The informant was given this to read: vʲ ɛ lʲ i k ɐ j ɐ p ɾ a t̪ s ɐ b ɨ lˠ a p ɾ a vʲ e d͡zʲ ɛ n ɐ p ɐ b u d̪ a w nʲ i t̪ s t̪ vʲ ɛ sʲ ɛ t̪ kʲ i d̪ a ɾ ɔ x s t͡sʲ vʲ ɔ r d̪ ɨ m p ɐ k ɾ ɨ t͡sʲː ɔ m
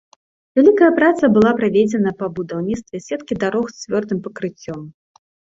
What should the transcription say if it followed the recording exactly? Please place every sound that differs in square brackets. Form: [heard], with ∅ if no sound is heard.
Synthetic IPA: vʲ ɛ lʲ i k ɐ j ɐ p ɾ a t̪ s ɐ b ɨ lˠ a p ɾ a vʲ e d͡zʲ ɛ n ɐ p ɐ b u d̪ a w nʲ i t̪ s t̪ vʲ ɛ sʲ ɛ t̪ kʲ i d̪ a ɾ ɔ x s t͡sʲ vʲ ɔ r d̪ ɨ m p ɐ k ɾ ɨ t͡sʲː ɔ m